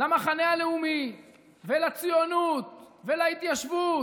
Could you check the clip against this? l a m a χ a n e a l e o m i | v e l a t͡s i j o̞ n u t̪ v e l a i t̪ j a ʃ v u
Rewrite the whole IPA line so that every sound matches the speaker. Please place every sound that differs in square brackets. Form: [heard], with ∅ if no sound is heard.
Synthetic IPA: l a m a χ a n e a l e [u] m i | v e l a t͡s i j o̞ n u t̪ v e l a i t̪ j a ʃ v u